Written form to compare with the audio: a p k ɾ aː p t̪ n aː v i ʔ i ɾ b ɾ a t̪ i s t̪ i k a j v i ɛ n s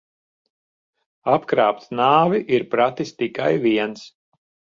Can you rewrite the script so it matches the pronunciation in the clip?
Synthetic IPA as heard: a p k ɾ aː p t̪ n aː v i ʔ i ɾ p ɾ a t̪ i s t̪ i k a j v i ɛ n s